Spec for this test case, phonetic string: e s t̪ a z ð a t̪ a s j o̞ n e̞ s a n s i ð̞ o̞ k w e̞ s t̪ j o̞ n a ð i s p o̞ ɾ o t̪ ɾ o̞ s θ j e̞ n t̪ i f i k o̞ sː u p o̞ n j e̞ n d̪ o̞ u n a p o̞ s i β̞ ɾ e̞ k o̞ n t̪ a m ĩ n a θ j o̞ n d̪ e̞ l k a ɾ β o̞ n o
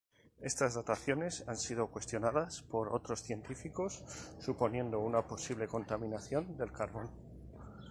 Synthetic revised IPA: e s t̪ a z ð a t̪ a θ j o̞ n e̞ s a n s i ð̞ o̞ k w e̞ s t̪ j o̞ n a ð a s p o̞ ɾ o t̪ ɾ o̞ s θ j e̞ n t̪ i f i k o̞ sː u p o̞ n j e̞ n d̪ o̞ u n a p o̞ s i β̞ l e̞ k o̞ n t̪ a m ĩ n a θ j o̞ n d̪ e̞ l k a ɾ β o̞ n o